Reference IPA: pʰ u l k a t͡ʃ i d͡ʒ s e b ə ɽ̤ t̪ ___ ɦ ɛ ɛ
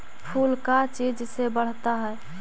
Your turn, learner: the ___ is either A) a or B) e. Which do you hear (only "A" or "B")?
A